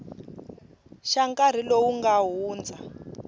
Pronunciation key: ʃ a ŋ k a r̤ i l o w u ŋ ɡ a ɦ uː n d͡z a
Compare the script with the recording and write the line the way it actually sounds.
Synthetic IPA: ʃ a ŋ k a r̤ i l o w u ŋ ɡ a ɦ uː n d͡z a